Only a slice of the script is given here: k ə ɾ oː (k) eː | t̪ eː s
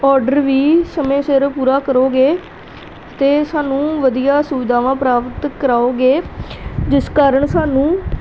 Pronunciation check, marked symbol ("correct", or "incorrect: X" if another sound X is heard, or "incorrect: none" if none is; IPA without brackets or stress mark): incorrect: ɡ